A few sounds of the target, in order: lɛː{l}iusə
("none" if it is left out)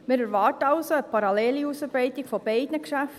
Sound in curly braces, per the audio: l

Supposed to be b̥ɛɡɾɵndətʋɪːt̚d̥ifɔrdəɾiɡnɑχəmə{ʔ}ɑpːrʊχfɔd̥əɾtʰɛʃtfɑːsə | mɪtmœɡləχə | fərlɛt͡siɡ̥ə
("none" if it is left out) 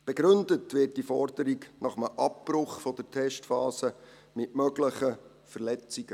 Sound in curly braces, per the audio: ʔ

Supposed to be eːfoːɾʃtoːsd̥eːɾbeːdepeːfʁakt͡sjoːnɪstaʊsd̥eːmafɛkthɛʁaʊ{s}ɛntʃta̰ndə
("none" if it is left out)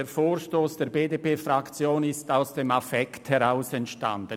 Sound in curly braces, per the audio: s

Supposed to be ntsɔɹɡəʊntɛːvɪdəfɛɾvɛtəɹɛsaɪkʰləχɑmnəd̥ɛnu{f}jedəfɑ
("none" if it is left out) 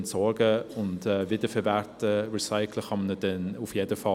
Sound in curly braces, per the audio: f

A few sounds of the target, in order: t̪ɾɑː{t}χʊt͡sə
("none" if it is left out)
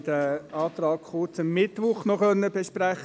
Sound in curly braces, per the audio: k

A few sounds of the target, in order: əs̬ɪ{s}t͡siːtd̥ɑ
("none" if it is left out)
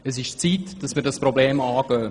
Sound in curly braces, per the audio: ʃ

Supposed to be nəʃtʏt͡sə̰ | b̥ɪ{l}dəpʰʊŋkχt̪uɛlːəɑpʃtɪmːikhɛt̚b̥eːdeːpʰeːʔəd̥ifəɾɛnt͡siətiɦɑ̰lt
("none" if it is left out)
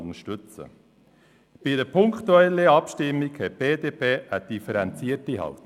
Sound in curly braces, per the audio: none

